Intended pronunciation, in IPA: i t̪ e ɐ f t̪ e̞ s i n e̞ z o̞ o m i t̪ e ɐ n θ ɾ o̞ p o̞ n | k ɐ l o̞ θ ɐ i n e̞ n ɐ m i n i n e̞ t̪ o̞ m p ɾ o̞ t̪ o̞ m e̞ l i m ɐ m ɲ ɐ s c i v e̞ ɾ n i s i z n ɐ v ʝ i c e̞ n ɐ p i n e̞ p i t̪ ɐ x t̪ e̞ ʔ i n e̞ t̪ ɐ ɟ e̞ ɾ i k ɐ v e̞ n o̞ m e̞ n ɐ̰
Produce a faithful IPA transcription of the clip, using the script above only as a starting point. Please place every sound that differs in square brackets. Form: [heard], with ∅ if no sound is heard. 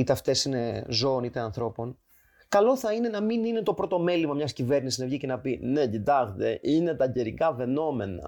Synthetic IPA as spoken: i t̪ e ɐ f t̪ e̞ s i n e̞ z o̞ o [n] i t̪ e ɐ n θ ɾ o̞ p o̞ n | k ɐ l o̞ θ ɐ i n e̞ n ɐ m i n i n e̞ t̪ o̞ [∅] p ɾ o̞ t̪ o̞ m e̞ l i m ɐ m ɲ ɐ s c i v e̞ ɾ n i s i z n ɐ v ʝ i c e̞ n ɐ p i n e̞ [c] i t̪ ɐ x t̪ e̞ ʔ i n e̞ t̪ ɐ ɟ e̞ ɾ i k ɐ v e̞ n o̞ m e̞ n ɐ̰